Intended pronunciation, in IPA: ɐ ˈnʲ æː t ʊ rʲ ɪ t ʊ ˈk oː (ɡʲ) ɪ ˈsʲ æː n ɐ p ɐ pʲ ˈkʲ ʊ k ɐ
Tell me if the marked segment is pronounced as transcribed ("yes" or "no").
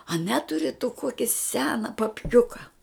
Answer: no